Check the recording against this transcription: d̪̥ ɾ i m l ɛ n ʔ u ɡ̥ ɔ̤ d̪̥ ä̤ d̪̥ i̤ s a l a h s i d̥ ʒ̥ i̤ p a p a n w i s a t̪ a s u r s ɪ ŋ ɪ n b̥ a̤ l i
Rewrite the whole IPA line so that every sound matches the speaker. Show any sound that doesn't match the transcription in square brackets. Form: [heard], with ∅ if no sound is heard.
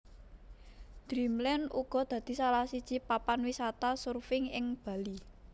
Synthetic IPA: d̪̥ ɾ i m l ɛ n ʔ u ɡ̥ ɔ̤ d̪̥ ä̤ d̪̥ i̤ s a l a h s i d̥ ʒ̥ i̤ p a p a n w i s a t̪ a s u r [f] ɪ ŋ ɪ [ŋ] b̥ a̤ l i